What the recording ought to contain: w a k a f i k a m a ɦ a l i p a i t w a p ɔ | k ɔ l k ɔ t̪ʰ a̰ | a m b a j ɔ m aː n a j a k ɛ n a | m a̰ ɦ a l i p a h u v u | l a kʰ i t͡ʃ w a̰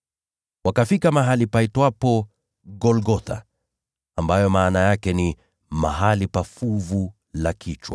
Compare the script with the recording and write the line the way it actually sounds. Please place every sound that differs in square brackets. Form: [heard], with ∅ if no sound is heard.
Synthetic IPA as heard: w a k a f i k a m a ɦ a l i p a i t w a p ɔ | [ɡ] ɔ l [ɡ] ɔ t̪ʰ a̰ | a m b a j ɔ m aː n a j a k ɛ n [i] | m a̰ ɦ a l i p a [f] u v u | l a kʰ i t͡ʃ w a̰